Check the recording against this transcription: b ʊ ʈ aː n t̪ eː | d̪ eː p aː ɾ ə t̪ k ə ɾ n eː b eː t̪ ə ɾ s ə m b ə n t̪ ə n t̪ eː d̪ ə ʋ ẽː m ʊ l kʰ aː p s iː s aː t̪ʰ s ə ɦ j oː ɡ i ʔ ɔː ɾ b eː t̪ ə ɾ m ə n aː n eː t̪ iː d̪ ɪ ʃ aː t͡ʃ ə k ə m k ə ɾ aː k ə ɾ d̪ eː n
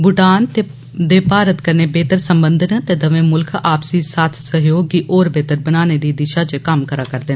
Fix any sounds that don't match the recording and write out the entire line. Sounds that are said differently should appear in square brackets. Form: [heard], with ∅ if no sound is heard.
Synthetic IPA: b ʊ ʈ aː n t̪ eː | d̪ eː p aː ɾ ə t̪ k ə ɾ n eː b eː t̪ ə ɾ s ə m b ə n [d̪] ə n t̪ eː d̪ ə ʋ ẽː m ʊ l kʰ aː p s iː s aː t̪ʰ s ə ɦ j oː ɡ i ʔ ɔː ɾ b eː t̪ ə ɾ [b] ə n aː n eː [d̪] iː d̪ ɪ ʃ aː t͡ʃ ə k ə m k ə ɾ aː k ə ɾ d̪ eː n